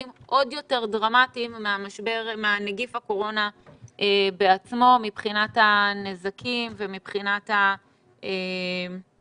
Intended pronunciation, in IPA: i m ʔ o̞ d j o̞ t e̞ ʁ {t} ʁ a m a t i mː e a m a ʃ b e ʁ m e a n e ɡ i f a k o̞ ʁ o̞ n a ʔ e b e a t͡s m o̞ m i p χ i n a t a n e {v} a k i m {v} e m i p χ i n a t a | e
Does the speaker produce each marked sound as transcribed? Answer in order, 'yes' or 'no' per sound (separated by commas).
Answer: no, no, yes